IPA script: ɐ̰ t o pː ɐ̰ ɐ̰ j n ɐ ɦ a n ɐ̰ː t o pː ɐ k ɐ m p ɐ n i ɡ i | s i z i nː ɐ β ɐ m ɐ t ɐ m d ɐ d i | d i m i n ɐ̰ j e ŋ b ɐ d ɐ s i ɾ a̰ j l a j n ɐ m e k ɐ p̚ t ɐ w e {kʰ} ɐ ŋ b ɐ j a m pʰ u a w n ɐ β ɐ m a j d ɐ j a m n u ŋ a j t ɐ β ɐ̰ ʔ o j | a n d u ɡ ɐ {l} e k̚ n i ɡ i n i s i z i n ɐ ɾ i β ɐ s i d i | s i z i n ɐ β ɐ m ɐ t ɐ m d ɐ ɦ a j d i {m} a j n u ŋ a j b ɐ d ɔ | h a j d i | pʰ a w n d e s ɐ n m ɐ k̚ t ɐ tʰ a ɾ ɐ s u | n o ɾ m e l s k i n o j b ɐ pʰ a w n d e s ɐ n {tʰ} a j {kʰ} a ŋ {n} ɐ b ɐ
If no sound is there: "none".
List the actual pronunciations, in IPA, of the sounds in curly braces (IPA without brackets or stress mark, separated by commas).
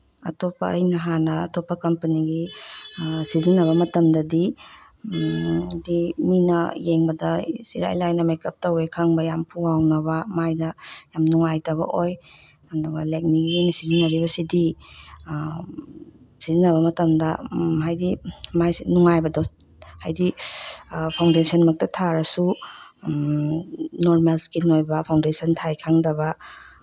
kʰ, l, m, tʰ, kʰ, d